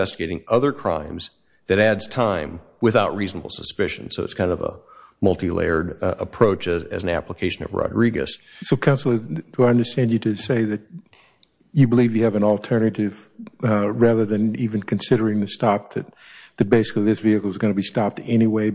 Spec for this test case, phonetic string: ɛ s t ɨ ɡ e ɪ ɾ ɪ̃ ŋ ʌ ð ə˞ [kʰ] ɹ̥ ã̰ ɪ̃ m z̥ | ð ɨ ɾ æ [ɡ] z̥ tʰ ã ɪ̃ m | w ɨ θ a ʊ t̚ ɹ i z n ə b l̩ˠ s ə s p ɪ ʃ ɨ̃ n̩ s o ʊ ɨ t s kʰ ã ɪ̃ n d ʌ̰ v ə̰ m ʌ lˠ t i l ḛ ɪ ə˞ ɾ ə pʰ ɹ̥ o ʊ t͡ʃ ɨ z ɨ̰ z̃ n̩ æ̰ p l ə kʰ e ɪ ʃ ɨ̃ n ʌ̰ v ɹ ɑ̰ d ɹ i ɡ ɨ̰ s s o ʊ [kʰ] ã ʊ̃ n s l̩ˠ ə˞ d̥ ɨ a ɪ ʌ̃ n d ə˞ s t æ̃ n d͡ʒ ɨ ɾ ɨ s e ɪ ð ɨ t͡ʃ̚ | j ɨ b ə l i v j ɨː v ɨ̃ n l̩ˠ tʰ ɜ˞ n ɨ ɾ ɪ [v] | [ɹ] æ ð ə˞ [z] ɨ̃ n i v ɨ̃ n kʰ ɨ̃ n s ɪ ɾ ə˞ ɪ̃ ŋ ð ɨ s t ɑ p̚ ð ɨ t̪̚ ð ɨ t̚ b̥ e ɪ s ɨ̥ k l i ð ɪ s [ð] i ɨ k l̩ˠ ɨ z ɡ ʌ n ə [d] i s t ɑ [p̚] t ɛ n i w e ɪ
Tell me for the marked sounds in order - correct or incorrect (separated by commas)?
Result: correct, incorrect, correct, correct, correct, incorrect, incorrect, incorrect, correct